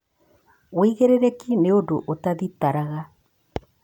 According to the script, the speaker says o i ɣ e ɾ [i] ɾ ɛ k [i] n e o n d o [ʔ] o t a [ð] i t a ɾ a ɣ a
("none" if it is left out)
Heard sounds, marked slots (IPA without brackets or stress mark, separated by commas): e, i, ʔ, ð